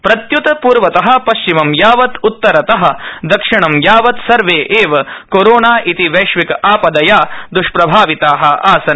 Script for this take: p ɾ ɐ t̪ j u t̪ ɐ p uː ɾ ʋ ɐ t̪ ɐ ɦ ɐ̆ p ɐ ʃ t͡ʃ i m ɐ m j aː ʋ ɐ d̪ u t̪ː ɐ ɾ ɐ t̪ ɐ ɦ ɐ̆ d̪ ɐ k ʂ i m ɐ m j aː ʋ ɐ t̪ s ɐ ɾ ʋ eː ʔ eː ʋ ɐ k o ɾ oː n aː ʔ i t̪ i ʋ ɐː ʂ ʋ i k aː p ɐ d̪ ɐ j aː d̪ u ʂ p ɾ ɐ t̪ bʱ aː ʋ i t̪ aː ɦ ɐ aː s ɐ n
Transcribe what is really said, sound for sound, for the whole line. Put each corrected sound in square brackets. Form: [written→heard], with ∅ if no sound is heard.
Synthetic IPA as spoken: p ɾ ɐ t̪ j u t̪ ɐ p uː ɾ ʋ ɐ t̪ ɐ ɦ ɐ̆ p ɐ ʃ t͡ʃ i m ɐ m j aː ʋ ɐ [d̪→t̪] u t̪ː ɐ ɾ ɐ t̪ ɐ ɦ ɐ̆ d̪ ɐ k ʂ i [m→ɳ] ɐ m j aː ʋ ɐ t̪ s ɐ ɾ ʋ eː ʔ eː ʋ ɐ k o ɾ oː n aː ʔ i t̪ i ʋ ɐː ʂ ʋ i k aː p ɐ d̪ ɐ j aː d̪ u ʂ p ɾ ɐ [t̪→∅] bʱ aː ʋ i t̪ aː ɦ ɐ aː s ɐ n